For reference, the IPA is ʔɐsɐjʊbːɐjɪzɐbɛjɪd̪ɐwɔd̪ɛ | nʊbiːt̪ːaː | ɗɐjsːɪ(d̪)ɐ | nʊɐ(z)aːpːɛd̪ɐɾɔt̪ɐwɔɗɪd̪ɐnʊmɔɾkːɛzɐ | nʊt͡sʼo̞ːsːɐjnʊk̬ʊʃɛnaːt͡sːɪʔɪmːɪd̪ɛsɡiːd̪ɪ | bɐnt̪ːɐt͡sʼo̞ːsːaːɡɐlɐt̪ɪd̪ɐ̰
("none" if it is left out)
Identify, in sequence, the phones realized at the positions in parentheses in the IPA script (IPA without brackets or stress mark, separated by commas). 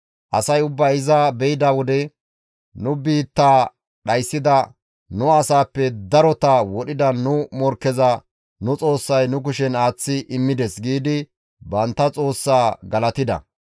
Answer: d̪, s